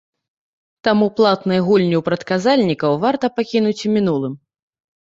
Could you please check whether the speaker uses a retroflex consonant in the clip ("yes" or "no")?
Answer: no